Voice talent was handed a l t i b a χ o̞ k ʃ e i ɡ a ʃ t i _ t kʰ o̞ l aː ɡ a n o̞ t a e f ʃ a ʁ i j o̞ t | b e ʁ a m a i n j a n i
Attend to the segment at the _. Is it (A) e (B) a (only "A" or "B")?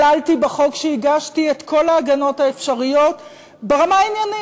A